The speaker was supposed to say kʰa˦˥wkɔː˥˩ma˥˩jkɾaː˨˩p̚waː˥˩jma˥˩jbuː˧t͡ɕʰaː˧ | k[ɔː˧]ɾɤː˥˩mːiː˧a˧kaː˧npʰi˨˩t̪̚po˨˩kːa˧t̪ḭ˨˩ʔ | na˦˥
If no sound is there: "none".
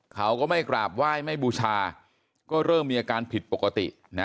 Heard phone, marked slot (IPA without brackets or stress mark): ɔː˥˩